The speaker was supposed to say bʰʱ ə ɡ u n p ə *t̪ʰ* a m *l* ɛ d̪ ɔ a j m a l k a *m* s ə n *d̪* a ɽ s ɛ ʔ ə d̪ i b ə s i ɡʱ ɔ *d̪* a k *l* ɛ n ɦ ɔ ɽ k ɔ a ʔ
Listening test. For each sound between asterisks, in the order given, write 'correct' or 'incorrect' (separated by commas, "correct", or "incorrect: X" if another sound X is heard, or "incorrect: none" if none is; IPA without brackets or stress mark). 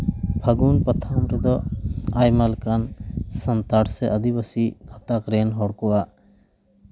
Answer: correct, incorrect: ɾ, incorrect: n, incorrect: t̪, incorrect: t̪, incorrect: ɾ